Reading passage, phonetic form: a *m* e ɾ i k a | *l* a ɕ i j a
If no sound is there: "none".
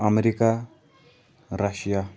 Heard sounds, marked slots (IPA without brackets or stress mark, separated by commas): m, ɾ